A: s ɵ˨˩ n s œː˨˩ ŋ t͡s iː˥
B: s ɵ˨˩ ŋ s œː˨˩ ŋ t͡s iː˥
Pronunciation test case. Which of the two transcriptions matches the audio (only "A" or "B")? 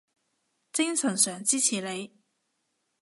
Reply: A